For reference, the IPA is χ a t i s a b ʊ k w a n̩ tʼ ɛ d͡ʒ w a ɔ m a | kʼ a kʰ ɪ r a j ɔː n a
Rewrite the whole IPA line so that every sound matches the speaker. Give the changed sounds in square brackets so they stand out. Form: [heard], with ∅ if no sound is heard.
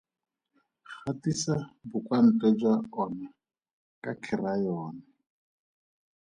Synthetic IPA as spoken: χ a t i s a b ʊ k w a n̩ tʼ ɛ d͡ʒ w a ɔ [n] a | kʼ a kʰ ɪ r a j ɔː n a